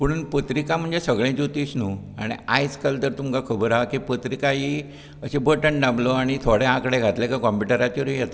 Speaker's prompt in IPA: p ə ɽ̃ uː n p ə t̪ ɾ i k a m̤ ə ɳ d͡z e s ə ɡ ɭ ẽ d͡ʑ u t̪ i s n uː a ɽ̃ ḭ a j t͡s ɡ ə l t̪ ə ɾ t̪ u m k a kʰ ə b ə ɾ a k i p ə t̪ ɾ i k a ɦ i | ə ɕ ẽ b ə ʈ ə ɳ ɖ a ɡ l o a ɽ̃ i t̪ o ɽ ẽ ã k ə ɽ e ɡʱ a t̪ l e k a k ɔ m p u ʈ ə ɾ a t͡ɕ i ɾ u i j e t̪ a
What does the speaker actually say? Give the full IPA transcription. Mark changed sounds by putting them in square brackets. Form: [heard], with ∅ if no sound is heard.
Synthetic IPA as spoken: p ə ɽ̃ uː n p ə t̪ ɾ i k a m̤ ə ɳ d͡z e s ə ɡ ɭ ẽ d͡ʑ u t̪ i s n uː a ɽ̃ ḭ a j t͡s [k] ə l t̪ ə ɾ t̪ u m k a kʰ ə b ə ɾ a k i p ə t̪ ɾ i k a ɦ i | ə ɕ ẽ b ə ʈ ə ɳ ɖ a [b] l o a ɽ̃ i [t̪ʰ] o ɽ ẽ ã k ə ɽ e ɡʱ a t̪ l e k a k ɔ m p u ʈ ə ɾ a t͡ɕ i ɾ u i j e t̪ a